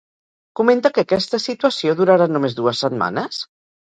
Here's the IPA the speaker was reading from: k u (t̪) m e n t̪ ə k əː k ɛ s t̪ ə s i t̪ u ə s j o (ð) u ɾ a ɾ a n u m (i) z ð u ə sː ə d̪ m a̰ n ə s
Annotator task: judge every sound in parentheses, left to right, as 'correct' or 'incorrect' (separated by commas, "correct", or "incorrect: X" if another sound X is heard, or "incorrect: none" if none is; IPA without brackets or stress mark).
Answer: incorrect: none, correct, incorrect: e